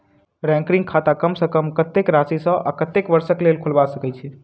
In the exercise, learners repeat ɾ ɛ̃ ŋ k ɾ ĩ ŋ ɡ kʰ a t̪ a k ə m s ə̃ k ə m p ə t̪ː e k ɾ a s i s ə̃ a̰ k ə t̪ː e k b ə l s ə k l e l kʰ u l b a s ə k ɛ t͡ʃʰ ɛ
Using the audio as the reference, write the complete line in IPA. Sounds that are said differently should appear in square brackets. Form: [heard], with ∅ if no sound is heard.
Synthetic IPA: ɾ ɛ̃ ŋ k ɾ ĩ ŋ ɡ kʰ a t̪ a k ə m s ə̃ k ə m [k] ə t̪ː e k ɾ a s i s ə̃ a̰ k ə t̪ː e k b ə [ɾ] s ə k l e l kʰ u l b a s ə k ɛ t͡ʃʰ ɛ